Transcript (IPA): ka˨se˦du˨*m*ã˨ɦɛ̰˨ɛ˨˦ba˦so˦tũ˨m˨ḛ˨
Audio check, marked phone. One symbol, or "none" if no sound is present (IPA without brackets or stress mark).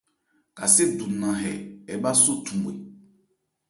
n